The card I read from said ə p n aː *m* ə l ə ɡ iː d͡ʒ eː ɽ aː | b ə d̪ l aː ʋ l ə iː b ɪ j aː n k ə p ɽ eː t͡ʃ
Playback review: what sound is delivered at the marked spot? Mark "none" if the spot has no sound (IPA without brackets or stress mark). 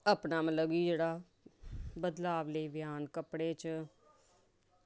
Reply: m